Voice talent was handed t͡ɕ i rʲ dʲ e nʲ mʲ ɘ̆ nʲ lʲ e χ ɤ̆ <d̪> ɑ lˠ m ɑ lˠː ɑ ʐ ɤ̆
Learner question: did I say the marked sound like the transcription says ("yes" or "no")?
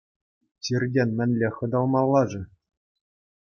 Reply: yes